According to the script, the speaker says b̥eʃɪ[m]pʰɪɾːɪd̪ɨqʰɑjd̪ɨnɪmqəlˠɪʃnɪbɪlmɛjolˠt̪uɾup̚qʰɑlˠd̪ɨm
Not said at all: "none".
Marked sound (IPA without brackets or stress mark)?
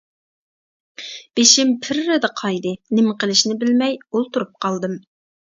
m